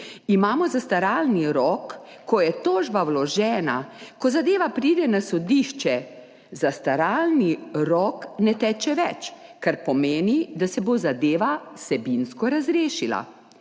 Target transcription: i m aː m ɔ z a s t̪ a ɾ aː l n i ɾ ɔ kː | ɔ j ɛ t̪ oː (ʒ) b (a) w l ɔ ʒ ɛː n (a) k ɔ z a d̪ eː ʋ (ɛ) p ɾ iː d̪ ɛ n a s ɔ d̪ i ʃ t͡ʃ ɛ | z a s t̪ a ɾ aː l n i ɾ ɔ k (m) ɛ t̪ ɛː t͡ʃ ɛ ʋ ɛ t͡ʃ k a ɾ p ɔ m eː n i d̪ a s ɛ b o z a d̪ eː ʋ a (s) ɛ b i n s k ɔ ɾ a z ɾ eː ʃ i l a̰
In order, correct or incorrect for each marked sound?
correct, correct, correct, incorrect: a, incorrect: n, correct

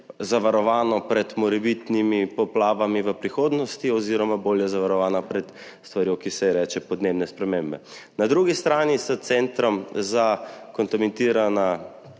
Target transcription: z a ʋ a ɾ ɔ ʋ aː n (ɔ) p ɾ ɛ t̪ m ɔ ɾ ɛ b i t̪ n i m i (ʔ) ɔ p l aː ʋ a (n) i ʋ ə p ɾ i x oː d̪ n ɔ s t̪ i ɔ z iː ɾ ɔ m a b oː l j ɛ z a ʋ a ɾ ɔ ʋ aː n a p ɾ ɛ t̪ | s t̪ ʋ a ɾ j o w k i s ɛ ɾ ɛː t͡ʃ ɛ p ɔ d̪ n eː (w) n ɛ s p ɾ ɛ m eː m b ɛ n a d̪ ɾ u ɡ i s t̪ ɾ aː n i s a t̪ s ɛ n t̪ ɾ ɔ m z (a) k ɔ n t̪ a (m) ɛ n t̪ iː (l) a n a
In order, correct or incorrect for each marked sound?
correct, incorrect: p, incorrect: m, incorrect: b, correct, correct, incorrect: ɾ

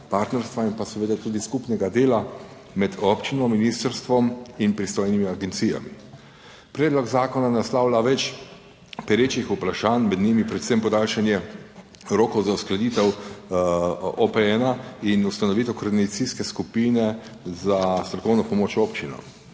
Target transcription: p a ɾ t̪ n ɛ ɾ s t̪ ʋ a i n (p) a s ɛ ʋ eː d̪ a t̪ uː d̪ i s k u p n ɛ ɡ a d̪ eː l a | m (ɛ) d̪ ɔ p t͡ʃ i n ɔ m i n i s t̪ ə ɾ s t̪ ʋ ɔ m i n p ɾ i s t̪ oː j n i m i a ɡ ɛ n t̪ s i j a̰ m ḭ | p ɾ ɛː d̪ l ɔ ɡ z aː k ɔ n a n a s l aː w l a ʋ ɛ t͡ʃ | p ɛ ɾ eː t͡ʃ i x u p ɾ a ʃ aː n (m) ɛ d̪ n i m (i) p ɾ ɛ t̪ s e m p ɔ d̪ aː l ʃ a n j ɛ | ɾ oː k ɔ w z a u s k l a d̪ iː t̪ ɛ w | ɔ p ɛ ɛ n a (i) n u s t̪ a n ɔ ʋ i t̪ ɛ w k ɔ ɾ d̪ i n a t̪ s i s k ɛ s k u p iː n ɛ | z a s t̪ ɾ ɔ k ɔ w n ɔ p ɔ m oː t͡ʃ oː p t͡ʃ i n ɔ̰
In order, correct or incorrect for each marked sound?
correct, correct, correct, correct, correct

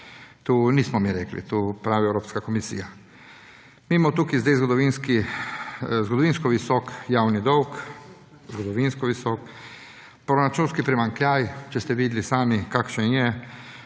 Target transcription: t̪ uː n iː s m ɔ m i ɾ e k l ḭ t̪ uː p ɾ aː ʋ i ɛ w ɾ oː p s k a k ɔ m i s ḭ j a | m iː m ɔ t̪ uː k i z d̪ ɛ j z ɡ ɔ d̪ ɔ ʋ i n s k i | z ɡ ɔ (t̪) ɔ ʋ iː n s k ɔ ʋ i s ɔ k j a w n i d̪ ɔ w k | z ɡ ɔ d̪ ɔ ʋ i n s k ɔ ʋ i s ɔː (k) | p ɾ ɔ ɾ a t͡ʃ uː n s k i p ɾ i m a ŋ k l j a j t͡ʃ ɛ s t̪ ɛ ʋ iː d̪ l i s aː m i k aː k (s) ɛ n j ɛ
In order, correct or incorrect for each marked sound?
incorrect: d̪, correct, incorrect: ʃ

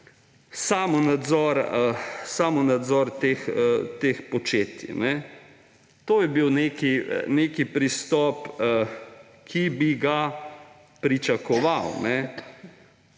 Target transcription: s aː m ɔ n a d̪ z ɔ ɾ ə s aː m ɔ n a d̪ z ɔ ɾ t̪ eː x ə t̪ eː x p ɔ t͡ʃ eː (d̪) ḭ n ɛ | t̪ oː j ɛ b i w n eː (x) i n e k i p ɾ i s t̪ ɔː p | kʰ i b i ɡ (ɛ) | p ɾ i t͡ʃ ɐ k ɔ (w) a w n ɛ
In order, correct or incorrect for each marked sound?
incorrect: t̪, incorrect: k, incorrect: a, incorrect: ʋ

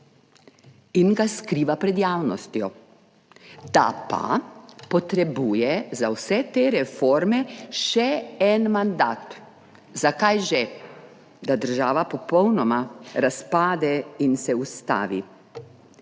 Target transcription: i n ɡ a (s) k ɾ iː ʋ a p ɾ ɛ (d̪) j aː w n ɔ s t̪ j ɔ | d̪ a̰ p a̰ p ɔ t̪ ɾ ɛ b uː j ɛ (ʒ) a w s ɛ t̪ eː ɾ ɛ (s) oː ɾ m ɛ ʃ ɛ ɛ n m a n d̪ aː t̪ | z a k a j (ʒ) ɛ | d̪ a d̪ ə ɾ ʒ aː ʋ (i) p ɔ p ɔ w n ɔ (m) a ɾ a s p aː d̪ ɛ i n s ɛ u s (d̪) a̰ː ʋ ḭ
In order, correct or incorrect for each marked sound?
correct, correct, incorrect: z, incorrect: f, correct, incorrect: a, correct, incorrect: t̪

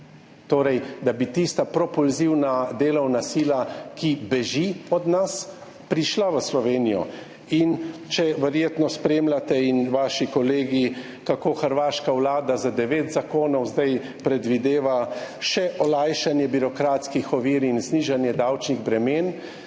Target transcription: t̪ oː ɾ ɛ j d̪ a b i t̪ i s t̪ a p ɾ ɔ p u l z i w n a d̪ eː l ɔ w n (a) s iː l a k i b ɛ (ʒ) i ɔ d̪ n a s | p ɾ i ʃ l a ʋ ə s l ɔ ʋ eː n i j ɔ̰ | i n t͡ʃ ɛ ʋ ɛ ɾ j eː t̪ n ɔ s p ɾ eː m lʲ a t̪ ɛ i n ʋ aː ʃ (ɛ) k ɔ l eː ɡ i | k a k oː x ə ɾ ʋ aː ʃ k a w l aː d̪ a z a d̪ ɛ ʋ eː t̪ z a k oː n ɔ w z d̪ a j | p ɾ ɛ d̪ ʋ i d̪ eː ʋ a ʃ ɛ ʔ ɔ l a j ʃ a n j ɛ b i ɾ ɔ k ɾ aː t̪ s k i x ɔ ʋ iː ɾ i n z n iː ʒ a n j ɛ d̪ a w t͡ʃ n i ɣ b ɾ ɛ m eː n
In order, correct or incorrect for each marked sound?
correct, correct, incorrect: i

